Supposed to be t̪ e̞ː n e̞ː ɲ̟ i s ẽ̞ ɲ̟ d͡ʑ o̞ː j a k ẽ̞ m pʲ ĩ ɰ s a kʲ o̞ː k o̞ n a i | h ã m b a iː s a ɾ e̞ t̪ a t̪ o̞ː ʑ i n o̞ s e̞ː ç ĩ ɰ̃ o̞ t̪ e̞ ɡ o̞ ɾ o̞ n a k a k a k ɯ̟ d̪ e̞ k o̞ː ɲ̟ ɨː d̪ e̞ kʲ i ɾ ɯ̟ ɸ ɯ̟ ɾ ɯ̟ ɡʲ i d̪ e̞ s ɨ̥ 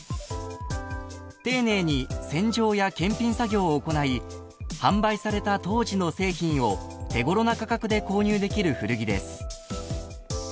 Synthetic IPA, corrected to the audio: t̪ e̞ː n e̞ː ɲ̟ i s ẽ̞ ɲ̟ d͡ʑ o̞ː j a k ẽ̞ m pʲ ĩ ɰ s a ɡʲ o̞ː k o̞ n a i | h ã m b a i s a ɾ e̞ t̪ a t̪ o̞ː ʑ i n o̞ s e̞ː ç ĩ ɰ̃ o̞ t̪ e̞ ɡ o̞ ɾ o̞ n a k a k a k ɯ̟ d̪ e̞ k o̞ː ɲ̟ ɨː d̪ e̞ kʲ i ɾ ɯ̟ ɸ ɯ̟ ɾ ɯ̟ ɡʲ i d̪ e̞ s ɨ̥